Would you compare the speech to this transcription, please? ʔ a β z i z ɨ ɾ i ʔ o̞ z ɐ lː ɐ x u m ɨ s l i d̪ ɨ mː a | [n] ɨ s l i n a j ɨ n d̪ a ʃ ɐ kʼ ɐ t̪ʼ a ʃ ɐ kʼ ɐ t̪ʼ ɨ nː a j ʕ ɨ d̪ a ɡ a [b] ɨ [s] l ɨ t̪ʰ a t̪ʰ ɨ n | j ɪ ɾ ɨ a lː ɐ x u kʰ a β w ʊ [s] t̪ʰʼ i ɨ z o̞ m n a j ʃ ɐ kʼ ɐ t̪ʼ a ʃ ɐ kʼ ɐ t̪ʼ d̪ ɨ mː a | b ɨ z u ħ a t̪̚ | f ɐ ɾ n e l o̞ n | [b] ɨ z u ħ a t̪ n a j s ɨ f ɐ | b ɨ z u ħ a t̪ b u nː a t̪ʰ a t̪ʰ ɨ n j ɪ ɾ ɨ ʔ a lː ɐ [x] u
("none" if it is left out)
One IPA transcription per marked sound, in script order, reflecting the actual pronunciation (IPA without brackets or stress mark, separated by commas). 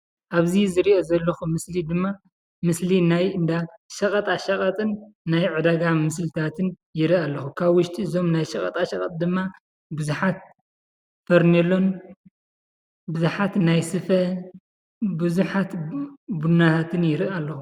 m, m, s, ʃ, b, x